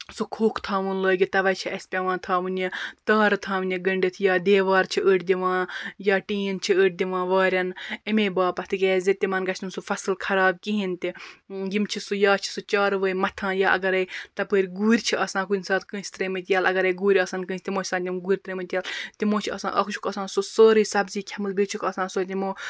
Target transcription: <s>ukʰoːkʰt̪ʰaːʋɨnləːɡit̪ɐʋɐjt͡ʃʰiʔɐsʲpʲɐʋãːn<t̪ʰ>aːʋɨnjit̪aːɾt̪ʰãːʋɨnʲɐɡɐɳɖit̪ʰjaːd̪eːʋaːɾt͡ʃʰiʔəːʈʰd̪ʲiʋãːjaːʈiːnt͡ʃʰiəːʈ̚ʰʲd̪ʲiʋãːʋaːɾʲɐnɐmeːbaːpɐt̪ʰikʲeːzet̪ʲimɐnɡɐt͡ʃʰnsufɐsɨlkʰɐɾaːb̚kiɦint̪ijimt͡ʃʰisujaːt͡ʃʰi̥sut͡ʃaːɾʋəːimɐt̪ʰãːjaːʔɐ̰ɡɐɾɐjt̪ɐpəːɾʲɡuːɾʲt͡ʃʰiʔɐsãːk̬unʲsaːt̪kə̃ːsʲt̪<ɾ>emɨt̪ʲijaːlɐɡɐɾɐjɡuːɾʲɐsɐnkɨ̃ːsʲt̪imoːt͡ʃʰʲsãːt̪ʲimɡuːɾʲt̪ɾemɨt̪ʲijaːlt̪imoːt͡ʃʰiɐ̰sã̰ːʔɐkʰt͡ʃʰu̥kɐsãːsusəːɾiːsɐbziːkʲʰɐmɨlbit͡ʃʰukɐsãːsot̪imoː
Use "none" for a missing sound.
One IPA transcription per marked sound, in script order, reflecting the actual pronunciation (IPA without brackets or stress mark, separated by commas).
s, t̪ʰ, ɾ